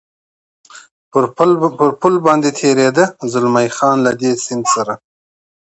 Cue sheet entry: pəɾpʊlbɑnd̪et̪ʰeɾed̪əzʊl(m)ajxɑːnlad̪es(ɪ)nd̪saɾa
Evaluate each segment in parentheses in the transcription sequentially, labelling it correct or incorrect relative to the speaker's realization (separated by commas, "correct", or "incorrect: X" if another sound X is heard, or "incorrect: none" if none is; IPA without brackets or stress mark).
correct, correct